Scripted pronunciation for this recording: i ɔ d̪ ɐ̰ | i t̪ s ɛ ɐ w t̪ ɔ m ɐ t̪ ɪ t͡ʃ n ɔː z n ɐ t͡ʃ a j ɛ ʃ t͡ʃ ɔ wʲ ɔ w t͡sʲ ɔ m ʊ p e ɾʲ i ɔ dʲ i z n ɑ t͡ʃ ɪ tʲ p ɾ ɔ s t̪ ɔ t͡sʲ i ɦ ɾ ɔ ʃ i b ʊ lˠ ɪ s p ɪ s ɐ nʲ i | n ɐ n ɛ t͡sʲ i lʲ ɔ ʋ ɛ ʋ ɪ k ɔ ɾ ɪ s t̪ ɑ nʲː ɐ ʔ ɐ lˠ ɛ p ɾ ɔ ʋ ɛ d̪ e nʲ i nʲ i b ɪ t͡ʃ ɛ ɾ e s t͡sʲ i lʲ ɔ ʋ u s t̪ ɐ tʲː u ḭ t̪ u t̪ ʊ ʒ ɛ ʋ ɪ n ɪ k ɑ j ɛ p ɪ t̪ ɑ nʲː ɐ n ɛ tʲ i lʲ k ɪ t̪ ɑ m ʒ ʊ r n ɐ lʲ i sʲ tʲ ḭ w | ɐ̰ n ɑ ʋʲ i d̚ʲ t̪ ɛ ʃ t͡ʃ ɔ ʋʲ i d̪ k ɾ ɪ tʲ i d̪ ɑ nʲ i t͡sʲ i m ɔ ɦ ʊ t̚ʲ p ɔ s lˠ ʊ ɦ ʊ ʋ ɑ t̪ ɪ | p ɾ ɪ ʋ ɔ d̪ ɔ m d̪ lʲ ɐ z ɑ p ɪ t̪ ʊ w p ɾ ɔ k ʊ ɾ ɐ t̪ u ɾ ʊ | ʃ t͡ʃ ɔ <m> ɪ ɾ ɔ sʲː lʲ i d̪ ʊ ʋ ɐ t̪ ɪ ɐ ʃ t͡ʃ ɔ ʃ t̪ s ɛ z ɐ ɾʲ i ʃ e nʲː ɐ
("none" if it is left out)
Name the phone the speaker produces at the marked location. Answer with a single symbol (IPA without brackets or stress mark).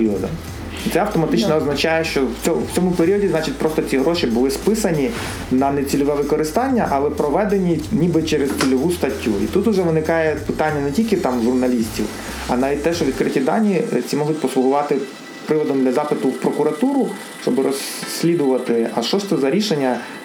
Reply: b